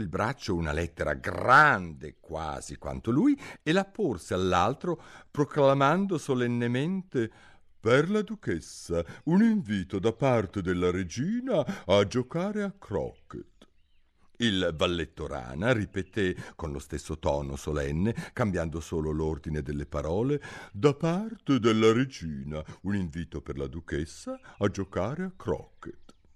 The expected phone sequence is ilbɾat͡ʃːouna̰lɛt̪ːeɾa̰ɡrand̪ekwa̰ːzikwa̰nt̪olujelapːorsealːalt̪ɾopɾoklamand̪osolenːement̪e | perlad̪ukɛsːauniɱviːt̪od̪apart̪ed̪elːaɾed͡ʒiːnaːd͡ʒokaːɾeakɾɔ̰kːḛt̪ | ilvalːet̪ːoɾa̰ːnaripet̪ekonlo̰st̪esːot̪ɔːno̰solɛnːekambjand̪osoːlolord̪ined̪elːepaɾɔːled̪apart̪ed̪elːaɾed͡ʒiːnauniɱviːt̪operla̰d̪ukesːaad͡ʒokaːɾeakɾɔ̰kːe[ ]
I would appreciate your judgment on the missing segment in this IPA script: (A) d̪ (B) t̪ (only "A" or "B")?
B